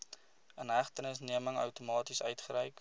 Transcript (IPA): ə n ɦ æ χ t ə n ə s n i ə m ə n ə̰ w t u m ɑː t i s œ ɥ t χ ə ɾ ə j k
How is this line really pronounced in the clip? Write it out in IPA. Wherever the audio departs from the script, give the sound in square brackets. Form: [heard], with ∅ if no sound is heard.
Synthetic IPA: ə n ɦ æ χ t ə n ə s n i ə m ə [ŋ] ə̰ w t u m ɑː t i s œ ɥ t χ ə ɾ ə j k

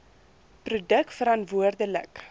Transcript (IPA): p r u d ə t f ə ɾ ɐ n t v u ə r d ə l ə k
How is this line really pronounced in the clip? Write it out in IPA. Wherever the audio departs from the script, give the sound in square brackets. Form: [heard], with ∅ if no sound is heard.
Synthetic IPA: p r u d ə [k] f ə ɾ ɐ n t v u ə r d ə l ə k

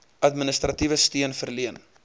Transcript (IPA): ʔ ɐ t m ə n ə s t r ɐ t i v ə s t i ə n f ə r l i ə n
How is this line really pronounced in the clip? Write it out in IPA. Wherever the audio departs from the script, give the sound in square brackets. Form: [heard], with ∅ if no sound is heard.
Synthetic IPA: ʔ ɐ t m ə n ə s t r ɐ t i v ə s t i ə n f ə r l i ə n

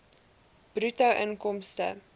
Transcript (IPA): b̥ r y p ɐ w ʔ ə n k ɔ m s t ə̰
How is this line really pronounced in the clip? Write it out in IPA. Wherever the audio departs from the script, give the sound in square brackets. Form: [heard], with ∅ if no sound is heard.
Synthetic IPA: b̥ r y [t] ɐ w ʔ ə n k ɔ m s t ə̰

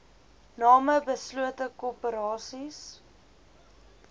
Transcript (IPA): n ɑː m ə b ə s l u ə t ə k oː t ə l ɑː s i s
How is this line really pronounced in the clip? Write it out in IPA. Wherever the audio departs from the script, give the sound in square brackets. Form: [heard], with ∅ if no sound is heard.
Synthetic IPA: n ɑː m ə b ə s l u ə t ə k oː [p] ə [ɾ] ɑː s i s

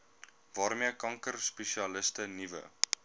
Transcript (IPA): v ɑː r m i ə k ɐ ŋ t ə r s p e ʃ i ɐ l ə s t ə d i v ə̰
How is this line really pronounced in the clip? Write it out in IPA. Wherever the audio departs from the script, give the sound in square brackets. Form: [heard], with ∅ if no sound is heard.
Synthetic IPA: v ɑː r m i ə k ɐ ŋ [k] ə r s p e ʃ i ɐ l ə s t ə [n] i v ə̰

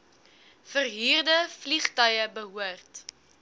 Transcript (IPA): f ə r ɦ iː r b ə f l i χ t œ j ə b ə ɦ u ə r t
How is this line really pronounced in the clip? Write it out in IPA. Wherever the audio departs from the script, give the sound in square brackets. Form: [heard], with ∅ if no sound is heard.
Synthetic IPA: f ə r ɦ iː r [d] ə f l i χ t œ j ə b ə ɦ u ə r t

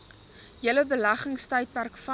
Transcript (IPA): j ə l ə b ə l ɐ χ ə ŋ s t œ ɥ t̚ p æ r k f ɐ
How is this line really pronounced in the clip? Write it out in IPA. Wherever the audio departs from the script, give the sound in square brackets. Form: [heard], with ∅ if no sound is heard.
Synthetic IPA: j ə l ə b ə l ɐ χ ə ŋ s t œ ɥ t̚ p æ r k f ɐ

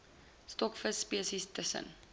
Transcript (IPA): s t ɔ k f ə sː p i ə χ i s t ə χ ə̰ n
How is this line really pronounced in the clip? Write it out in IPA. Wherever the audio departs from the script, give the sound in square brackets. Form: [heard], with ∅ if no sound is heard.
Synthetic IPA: s t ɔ k f ə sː p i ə [s] i s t ə [s] ə̰ n

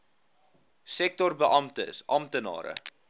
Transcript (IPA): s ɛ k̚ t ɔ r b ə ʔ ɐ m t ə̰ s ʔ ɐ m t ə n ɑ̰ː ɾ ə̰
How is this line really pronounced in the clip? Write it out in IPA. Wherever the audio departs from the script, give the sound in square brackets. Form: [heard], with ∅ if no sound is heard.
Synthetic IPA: s ɛ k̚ t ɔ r b ə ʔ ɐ m t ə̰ s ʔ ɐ m t ə n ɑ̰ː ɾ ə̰

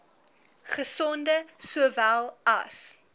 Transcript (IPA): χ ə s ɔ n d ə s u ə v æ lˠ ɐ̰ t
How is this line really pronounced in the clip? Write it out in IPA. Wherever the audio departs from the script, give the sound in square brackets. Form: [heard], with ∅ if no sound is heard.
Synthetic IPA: χ ə s ɔ n d ə s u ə v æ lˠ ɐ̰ [s]

